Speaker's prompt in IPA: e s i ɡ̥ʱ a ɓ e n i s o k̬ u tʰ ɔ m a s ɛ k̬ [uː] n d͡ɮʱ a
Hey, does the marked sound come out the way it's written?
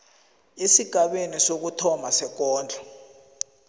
no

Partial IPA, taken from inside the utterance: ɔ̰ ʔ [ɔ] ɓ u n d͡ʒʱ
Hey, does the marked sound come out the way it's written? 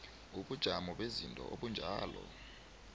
no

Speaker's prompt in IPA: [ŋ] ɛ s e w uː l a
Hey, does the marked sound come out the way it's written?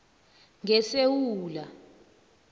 yes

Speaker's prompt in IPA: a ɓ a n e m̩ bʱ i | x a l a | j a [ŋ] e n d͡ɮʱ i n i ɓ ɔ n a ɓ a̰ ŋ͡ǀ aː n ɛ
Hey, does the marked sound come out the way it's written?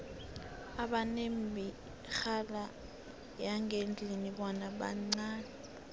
yes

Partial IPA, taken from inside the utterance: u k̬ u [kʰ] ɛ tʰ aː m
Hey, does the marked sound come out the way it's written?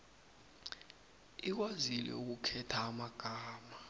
yes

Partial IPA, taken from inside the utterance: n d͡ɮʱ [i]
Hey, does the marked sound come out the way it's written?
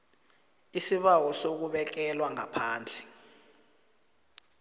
no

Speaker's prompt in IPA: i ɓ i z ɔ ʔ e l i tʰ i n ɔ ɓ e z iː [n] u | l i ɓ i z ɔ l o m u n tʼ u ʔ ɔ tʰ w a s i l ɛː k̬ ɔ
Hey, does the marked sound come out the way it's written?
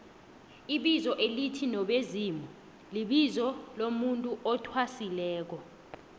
no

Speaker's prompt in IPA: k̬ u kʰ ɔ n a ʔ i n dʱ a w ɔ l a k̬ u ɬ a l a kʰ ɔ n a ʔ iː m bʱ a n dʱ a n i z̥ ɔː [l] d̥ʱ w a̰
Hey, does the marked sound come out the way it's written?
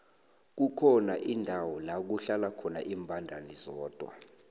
no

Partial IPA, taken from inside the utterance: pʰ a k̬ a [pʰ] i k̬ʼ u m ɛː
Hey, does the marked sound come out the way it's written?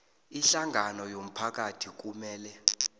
no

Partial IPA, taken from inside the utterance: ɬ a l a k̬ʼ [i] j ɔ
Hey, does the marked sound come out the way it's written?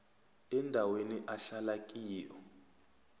no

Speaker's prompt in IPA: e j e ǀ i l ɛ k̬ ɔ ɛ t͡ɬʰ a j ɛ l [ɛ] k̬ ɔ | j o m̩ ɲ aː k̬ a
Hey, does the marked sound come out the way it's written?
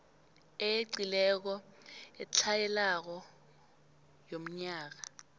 no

